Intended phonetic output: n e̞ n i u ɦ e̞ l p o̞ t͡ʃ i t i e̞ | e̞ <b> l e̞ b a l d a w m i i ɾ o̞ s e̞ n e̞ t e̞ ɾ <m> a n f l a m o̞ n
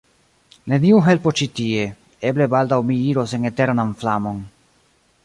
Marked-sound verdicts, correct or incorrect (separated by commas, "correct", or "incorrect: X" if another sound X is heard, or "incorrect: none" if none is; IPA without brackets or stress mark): correct, incorrect: n